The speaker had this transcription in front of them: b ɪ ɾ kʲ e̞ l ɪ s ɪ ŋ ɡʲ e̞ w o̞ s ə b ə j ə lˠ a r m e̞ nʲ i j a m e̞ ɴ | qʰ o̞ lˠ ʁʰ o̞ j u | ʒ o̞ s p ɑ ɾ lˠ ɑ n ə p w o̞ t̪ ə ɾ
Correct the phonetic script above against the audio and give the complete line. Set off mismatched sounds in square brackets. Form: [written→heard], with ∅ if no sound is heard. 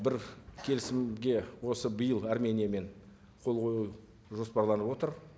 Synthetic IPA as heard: b ɪ ɾ [kʲ→kʲʰ] e̞ l ɪ s ɪ [ŋ→m] ɡʲ e̞ w o̞ s ə b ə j ə lˠ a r m e̞ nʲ i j a m e̞ ɴ | qʰ o̞ lˠ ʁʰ o̞ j u | ʒ o̞ s p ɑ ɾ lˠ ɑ n ə p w o̞ t̪ ə ɾ